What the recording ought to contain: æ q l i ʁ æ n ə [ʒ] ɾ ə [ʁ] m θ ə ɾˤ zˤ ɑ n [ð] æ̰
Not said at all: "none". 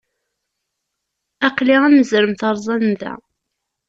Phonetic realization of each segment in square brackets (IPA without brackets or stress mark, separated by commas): z, none, ð